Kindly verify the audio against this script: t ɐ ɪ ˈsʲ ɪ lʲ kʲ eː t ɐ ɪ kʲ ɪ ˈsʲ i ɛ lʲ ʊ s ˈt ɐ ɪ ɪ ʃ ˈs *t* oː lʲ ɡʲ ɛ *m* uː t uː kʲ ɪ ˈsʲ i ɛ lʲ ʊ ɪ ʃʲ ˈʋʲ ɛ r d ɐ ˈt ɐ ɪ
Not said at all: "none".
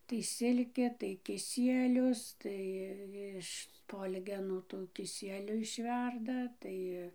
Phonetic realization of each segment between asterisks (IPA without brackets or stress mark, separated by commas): p, n